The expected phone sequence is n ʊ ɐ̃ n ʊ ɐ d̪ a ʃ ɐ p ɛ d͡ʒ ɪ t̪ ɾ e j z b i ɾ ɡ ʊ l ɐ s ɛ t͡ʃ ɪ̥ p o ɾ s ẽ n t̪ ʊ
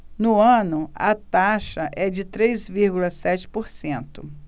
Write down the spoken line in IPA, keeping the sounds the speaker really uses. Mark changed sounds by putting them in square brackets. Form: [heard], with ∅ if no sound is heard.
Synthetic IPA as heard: n ʊ ɐ̃ n ʊ ɐ [t̪] a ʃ ɐ [ʔ] ɛ d͡ʒ ɪ t̪ ɾ e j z [v] i ɾ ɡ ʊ l ɐ s ɛ t͡ʃ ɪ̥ p o ɾ s ẽ n t̪ ʊ